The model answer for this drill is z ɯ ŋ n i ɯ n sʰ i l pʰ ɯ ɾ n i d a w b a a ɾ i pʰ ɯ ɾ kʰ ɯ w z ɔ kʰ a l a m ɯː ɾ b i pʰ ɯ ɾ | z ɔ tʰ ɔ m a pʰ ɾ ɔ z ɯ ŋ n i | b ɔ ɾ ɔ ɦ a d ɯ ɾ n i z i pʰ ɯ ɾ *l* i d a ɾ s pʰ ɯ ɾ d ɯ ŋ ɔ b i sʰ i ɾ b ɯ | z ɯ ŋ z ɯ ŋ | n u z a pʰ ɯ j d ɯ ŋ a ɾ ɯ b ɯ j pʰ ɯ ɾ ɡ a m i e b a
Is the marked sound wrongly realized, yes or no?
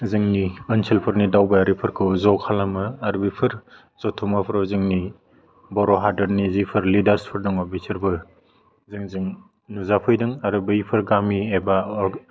no